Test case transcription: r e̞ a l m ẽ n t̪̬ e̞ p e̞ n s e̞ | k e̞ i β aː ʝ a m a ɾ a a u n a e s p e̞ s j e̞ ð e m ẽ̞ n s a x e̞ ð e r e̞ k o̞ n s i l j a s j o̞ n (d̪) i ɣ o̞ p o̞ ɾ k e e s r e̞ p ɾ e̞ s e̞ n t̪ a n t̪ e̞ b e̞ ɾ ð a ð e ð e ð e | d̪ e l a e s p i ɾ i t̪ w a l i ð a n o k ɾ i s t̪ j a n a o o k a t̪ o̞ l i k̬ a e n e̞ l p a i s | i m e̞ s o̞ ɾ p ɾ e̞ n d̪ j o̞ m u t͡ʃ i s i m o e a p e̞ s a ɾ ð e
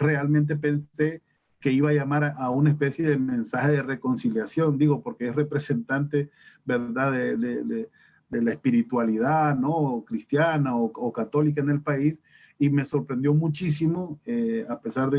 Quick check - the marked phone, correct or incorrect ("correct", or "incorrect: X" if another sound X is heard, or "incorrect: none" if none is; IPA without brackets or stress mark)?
correct